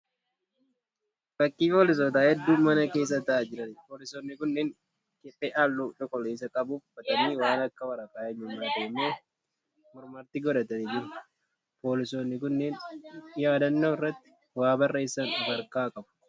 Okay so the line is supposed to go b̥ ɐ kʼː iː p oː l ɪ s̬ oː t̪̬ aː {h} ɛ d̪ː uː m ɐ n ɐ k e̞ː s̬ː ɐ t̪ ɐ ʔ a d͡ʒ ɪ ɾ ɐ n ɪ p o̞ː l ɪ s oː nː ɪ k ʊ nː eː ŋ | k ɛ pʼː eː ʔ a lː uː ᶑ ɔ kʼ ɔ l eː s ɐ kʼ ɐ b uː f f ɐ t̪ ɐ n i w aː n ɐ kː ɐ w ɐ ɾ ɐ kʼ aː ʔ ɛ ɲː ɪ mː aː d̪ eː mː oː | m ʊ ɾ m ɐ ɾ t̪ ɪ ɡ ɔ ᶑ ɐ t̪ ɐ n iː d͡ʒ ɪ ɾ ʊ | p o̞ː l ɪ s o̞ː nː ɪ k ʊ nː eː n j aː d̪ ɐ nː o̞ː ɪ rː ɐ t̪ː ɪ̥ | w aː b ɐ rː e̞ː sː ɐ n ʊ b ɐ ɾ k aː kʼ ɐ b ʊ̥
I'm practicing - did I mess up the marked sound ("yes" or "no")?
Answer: no